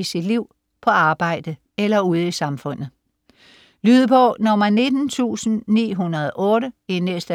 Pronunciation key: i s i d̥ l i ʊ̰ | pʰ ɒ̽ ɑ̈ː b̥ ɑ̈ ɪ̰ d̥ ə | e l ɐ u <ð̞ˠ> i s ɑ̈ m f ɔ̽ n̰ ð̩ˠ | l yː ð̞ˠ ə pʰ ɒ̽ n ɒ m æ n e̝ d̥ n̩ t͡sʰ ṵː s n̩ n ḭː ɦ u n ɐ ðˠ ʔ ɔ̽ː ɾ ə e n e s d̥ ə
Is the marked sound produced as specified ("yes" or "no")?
yes